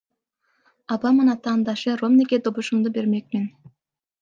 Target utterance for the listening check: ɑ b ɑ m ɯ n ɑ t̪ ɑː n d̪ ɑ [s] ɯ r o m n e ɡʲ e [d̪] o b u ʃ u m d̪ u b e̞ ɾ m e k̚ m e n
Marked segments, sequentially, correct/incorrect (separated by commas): incorrect, correct